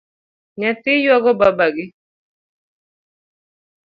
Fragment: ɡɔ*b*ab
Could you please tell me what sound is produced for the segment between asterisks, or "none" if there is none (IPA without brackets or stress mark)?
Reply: b